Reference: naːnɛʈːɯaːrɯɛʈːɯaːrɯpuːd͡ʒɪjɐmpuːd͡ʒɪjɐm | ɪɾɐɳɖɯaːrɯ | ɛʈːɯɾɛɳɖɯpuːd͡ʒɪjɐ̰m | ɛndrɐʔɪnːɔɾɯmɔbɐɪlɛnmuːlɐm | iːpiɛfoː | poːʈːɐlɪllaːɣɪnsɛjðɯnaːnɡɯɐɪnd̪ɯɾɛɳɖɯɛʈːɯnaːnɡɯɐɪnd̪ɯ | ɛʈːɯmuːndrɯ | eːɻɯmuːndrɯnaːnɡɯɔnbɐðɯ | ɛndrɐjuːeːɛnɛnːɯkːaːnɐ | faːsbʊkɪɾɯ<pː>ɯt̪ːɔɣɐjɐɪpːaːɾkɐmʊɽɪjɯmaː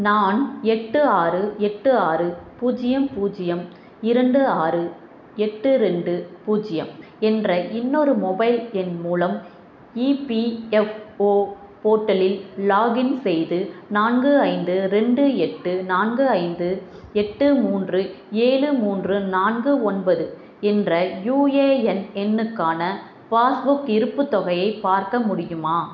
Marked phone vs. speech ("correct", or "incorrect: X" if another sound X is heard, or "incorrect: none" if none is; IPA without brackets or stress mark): correct